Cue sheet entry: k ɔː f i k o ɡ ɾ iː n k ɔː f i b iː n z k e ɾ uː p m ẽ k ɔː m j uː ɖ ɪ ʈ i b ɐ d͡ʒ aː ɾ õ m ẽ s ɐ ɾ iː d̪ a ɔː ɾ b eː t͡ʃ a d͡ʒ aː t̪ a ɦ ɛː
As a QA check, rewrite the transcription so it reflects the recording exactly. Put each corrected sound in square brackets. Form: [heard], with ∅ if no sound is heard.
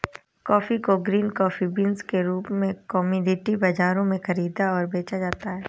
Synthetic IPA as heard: k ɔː f i k o ɡ ɾ iː n k ɔː f i b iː n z k e ɾ uː p m ẽ k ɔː m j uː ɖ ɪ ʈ i b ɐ d͡ʒ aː ɾ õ m ẽ [x] ɐ ɾ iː d̪ a ɔː ɾ b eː t͡ʃ a d͡ʒ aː t̪ a ɦ ɛː